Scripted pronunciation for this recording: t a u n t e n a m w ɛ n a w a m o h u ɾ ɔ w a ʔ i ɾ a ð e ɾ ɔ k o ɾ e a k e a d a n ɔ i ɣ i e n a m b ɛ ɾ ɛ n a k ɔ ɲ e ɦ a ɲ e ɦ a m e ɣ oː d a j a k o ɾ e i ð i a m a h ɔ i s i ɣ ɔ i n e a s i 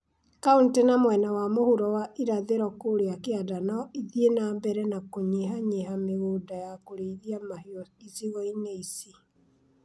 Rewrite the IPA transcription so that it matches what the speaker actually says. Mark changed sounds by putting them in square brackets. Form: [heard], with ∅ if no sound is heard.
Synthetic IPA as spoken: [k] a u n t e n a m w ɛ n a w a m o h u ɾ ɔ w a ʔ i ɾ a ð e ɾ ɔ k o ɾ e a k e a d a n ɔ i [ð] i e n a m b ɛ ɾ ɛ n a k [o] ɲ e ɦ a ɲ e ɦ a m e ɣ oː d a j a k o ɾ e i ð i a m a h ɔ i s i ɣ ɔ i n e [i] s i